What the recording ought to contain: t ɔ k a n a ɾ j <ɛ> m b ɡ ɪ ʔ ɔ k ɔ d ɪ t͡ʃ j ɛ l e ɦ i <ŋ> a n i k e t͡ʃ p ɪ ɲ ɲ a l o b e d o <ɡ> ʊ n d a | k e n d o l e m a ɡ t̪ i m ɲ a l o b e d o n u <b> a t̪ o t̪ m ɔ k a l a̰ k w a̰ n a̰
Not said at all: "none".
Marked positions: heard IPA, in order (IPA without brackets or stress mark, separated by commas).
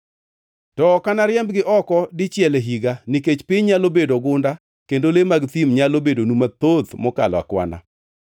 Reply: ɛ, ɡ, ɡ, m